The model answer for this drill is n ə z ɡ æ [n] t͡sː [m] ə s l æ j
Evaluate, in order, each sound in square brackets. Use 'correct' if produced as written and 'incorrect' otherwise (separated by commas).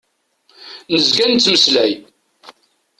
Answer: correct, correct